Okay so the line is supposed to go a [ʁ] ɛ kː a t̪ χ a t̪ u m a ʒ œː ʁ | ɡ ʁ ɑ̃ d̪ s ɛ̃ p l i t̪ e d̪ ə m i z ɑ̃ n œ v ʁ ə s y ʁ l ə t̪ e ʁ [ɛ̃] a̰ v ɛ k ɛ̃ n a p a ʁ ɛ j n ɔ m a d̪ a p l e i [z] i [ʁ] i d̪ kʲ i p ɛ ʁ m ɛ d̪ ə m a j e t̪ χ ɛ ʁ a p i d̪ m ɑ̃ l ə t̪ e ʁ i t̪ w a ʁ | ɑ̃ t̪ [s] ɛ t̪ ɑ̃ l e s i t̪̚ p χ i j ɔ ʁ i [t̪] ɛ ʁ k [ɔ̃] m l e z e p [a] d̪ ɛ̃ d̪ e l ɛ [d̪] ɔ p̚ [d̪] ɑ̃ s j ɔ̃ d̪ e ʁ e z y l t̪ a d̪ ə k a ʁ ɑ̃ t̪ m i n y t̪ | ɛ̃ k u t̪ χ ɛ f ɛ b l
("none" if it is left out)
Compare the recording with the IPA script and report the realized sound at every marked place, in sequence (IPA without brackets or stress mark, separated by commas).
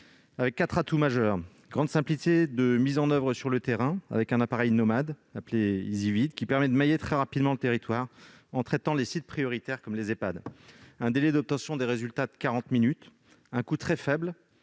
v, ɛ̃, z, v, χ, t̪, ɔ, a, d̪, t̪